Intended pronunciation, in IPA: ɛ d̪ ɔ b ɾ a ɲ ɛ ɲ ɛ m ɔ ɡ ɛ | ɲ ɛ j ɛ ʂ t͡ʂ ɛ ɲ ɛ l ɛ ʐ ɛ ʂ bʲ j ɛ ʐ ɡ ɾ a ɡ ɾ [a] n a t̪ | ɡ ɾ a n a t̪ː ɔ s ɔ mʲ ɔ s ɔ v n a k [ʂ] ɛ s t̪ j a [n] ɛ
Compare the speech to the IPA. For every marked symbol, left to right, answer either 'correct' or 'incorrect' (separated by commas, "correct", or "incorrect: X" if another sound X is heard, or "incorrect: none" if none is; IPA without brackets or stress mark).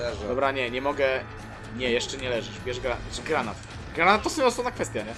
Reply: correct, incorrect: f, incorrect: ɲ